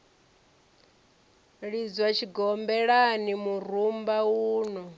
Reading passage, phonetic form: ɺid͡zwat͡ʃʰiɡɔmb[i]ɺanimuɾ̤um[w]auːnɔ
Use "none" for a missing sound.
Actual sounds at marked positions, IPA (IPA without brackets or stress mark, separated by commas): ɛ, b